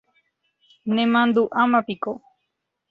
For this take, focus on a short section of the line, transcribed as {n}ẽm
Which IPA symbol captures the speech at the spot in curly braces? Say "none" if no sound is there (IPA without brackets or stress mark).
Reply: n